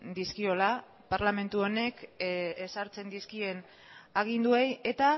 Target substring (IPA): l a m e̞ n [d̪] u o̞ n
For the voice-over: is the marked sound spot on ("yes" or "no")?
no